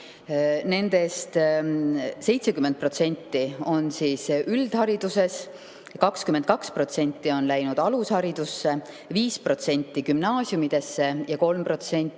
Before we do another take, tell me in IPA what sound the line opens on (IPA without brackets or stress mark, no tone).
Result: n